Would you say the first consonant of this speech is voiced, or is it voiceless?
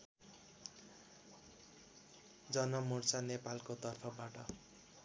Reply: voiced